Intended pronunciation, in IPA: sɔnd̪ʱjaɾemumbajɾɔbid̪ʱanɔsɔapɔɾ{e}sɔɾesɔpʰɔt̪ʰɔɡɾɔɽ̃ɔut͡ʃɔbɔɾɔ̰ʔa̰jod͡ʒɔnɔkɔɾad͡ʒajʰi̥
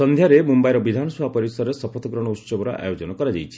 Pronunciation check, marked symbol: incorrect: i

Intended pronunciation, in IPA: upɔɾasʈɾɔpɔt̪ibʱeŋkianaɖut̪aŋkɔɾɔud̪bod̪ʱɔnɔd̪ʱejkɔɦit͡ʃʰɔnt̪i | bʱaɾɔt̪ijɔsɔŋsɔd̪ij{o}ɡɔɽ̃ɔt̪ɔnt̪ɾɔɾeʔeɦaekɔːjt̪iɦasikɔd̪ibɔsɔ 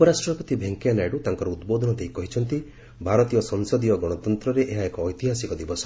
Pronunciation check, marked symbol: incorrect: ɔ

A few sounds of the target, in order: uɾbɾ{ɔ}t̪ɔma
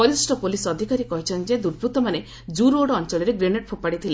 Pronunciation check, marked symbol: incorrect: u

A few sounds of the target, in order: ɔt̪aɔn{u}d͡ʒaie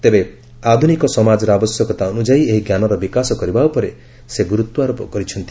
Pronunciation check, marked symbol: correct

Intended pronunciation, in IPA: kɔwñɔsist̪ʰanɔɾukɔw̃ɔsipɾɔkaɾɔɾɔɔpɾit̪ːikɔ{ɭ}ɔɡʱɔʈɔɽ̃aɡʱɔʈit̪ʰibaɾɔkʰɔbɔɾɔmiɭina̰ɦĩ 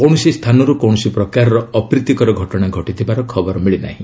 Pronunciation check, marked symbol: incorrect: ɾ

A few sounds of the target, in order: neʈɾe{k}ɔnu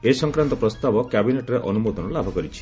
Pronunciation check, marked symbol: incorrect: ʔ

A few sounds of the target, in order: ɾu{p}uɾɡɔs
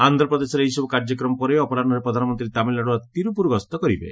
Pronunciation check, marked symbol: correct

